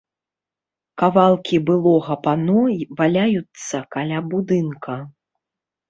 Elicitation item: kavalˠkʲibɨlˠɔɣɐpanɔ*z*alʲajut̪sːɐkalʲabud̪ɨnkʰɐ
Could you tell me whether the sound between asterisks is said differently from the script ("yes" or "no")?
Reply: yes